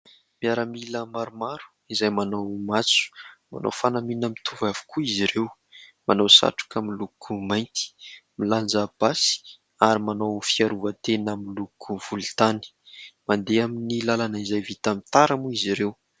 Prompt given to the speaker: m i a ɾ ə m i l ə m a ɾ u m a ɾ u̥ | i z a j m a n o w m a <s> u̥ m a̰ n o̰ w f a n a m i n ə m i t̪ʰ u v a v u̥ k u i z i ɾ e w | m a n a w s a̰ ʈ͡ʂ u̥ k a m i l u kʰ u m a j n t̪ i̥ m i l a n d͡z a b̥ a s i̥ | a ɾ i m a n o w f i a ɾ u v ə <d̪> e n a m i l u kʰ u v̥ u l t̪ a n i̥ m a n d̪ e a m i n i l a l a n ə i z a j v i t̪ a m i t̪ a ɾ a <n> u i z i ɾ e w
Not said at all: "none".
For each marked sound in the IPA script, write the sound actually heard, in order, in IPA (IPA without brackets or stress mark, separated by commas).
t͡s, t̪, m